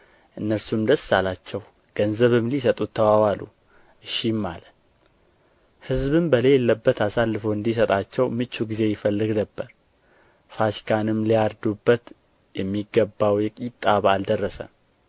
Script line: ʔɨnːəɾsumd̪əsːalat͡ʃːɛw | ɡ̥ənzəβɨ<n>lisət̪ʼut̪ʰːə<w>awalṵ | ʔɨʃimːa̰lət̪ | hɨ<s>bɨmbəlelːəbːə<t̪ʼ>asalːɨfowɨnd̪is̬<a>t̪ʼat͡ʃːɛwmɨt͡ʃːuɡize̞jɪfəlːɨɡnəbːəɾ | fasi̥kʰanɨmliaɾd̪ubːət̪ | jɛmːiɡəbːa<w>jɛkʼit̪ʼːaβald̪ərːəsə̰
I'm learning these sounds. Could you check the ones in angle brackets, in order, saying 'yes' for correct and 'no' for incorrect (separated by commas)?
no, yes, no, no, no, yes